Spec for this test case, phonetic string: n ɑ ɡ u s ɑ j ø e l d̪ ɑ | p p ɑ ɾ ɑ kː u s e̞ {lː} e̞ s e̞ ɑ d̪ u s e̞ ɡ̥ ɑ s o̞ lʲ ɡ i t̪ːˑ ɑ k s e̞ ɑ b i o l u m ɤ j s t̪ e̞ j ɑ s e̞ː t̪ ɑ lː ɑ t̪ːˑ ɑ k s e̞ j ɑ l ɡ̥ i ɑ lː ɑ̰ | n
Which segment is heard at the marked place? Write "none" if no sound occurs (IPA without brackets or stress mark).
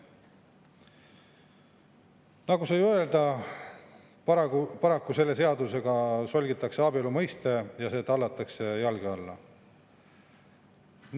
lː